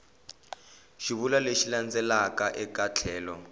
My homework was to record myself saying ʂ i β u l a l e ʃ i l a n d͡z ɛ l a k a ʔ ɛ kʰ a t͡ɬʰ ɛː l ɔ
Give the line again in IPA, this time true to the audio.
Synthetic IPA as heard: ʃ i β u l a l e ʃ i l a n d͡z ɛ l a k a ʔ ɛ k a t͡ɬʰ ɛː l ɔ